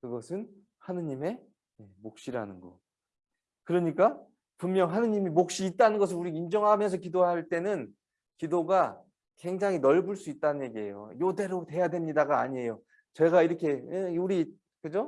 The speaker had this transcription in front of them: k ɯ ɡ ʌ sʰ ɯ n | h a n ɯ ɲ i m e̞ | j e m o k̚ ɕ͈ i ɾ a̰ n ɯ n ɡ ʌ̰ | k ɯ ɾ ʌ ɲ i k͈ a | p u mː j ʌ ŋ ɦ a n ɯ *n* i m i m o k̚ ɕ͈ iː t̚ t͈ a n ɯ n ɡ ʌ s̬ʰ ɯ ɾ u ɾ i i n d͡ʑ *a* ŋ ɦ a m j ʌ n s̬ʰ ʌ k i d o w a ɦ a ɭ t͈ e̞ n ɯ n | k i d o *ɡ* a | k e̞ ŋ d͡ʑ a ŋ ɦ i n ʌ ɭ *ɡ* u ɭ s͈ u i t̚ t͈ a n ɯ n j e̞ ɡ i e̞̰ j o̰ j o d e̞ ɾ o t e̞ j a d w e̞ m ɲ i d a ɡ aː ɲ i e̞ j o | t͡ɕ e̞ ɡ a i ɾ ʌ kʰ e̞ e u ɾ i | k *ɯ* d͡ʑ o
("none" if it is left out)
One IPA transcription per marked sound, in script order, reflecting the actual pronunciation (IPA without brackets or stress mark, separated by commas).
ɲ, ʌ, ɡ, b, ɯ